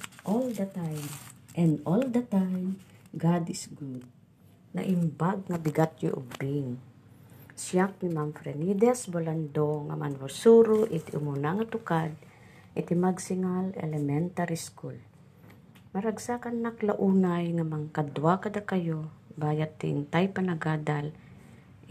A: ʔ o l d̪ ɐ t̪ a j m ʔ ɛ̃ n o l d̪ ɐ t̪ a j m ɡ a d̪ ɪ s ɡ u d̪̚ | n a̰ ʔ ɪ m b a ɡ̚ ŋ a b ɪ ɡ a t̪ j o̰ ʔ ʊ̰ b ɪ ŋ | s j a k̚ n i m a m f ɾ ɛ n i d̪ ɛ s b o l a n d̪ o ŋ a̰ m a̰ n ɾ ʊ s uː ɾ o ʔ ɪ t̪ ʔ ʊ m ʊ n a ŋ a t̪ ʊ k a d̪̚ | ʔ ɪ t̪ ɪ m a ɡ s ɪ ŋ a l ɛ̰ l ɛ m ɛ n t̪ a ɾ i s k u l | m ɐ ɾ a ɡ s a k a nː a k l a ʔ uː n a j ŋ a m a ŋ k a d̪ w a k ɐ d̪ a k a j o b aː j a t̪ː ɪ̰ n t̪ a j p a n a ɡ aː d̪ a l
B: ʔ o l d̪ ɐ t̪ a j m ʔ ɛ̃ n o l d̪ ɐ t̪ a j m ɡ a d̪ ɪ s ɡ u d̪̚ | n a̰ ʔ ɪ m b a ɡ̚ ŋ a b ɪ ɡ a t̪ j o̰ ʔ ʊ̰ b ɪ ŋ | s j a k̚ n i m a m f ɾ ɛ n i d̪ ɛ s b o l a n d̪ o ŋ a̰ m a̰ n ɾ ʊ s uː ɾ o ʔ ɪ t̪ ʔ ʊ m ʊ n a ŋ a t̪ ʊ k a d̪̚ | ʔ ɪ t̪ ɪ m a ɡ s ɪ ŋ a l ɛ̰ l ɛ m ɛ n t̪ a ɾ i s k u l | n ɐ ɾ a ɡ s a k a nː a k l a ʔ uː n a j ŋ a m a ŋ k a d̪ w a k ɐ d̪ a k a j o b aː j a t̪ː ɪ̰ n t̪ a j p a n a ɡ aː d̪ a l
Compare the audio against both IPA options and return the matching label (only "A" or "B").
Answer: A